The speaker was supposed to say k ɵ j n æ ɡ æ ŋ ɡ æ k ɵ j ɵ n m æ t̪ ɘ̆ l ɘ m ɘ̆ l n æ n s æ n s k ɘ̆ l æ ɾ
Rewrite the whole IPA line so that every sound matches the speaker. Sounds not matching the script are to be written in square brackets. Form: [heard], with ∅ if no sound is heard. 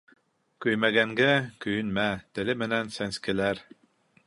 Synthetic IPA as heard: k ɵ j [m] æ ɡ æ ŋ ɡ æ k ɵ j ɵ n m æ t̪ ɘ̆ l ɘ m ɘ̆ [∅] n æ n s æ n s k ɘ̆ l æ ɾ